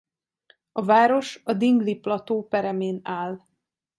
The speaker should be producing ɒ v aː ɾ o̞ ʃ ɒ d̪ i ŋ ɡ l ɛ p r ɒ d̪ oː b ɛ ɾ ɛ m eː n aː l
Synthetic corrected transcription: ɒ v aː ɾ o̞ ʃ ɒ d̪ i ŋ ɡ l i p l ɒ t̪ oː p ɛ ɾ ɛ m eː n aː l